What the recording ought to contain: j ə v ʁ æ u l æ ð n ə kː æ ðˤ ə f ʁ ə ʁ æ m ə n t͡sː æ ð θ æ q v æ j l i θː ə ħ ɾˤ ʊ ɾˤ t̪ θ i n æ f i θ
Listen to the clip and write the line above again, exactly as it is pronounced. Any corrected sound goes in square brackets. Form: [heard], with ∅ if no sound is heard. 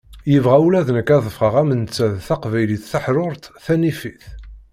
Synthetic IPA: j ə v ʁ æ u l æ ð n ə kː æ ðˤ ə f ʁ ə ʁ æ m ə n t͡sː æ ð θ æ q v æ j l i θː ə ħ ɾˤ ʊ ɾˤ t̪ θ [æ] n [i] f i θ